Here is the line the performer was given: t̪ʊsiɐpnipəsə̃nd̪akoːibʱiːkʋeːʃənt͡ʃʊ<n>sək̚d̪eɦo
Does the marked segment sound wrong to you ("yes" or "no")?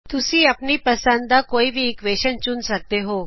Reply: no